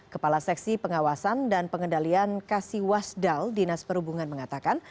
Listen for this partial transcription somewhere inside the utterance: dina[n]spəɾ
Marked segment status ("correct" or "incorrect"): incorrect